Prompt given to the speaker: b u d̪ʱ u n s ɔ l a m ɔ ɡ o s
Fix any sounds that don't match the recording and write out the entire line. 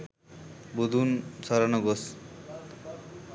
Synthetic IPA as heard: b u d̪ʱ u n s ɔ ɾ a n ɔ ɡ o s